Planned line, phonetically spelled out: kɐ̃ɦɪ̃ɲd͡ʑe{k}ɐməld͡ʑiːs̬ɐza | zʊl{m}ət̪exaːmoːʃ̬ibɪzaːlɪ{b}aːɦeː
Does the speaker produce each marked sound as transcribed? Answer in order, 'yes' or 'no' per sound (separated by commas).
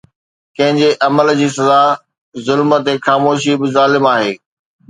no, yes, no